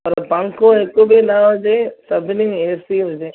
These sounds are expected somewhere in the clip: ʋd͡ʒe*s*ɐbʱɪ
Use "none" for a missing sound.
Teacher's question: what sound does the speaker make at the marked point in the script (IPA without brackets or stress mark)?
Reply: s